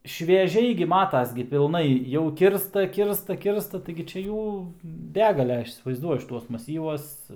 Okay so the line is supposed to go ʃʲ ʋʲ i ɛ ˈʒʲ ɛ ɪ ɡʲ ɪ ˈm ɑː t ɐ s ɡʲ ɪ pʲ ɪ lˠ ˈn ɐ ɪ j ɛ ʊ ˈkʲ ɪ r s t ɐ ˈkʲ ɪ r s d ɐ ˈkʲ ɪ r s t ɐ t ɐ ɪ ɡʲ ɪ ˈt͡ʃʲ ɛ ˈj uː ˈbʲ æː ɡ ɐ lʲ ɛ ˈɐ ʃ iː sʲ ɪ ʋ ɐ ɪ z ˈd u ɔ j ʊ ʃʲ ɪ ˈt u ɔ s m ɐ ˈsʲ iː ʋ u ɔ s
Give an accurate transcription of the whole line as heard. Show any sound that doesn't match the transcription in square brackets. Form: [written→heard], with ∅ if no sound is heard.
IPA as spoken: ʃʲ ʋʲ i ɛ ˈʒʲ ɛ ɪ ɡʲ ɪ ˈm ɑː t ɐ s ɡʲ ɪ pʲ ɪ lˠ ˈn ɐ ɪ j ɛ ʊ ˈkʲ ɪ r s t ɐ ˈkʲ ɪ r s [d→t] ɐ ˈkʲ ɪ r s t ɐ t ɐ ɪ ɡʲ ɪ ˈt͡ʃʲ ɛ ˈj uː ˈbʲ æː ɡ ɐ lʲ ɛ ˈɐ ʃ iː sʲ ɪ ʋ ɐ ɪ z ˈd u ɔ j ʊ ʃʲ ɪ ˈt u ɔ s m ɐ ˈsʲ iː ʋ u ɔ s